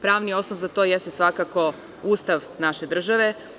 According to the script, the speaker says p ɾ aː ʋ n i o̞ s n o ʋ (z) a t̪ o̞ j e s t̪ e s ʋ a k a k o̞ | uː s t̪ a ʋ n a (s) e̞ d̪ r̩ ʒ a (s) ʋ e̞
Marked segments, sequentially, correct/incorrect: correct, incorrect: ʃ, incorrect: none

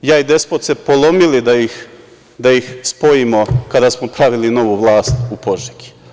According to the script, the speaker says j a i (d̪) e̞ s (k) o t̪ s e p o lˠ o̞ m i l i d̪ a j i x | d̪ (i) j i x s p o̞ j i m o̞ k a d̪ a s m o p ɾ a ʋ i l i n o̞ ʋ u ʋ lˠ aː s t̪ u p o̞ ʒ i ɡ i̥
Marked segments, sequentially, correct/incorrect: correct, incorrect: p, incorrect: a

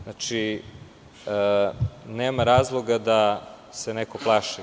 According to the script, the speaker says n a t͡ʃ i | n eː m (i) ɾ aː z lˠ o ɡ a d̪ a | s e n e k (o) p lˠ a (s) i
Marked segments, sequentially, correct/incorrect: incorrect: a, correct, incorrect: ʃ

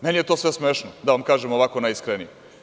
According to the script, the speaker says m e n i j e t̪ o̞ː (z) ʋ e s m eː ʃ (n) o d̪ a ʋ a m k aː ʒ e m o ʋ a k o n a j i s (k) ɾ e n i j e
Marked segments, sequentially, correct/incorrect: incorrect: s, correct, correct

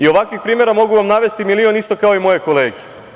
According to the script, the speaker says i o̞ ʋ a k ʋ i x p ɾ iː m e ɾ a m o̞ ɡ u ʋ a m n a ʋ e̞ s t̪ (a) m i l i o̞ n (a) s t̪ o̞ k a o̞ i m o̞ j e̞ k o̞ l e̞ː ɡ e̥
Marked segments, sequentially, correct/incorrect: incorrect: i, incorrect: i

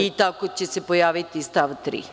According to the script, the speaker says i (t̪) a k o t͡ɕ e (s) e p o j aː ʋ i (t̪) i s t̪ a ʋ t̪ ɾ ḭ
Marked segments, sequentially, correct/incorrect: correct, correct, correct

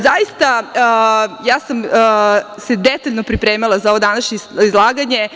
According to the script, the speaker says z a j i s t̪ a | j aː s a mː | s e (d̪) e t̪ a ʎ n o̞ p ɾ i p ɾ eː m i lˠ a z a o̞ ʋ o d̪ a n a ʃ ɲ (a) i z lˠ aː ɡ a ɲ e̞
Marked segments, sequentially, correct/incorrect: correct, incorrect: e

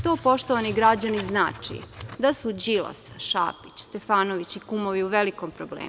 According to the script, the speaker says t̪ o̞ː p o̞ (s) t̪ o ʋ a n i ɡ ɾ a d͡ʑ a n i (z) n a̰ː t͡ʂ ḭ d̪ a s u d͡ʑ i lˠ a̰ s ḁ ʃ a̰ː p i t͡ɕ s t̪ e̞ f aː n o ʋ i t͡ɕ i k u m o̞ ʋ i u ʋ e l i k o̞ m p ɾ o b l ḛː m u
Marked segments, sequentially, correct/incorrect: incorrect: ʃ, correct

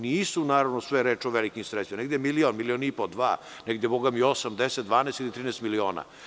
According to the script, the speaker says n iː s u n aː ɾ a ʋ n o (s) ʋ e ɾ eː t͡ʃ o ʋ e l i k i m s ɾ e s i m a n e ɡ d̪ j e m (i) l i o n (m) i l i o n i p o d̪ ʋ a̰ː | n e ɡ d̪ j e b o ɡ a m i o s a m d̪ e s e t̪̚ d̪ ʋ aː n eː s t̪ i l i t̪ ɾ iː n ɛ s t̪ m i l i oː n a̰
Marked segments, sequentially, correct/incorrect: correct, correct, correct

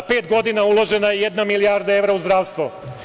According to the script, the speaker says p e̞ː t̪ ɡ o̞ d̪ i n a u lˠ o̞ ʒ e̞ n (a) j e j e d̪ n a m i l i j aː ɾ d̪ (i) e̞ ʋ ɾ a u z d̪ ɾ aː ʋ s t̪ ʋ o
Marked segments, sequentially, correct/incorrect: correct, incorrect: a

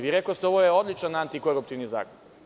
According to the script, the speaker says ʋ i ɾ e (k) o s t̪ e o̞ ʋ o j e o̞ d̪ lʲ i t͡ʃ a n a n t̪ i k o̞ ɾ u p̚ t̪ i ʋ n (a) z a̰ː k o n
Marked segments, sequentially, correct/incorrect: correct, incorrect: i

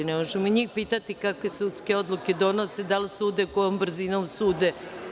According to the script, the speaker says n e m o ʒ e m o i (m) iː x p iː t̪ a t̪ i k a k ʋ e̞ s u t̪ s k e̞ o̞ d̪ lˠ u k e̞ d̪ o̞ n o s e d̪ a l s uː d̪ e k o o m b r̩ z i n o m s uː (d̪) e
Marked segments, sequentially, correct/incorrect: incorrect: ɲ, correct

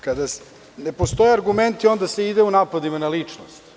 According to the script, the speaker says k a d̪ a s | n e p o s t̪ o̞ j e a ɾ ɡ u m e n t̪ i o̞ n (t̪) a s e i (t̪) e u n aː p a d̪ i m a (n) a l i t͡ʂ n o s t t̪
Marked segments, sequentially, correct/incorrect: incorrect: d̪, incorrect: d̪, correct

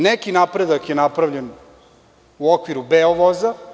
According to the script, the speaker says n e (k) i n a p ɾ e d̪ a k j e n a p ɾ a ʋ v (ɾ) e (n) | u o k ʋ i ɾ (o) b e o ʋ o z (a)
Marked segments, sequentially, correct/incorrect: correct, incorrect: ʎ, correct, incorrect: u, correct

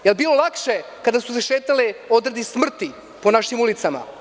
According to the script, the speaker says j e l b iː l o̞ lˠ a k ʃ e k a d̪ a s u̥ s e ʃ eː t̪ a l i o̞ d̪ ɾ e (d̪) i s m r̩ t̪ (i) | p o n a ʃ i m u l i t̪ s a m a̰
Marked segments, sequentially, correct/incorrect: correct, correct

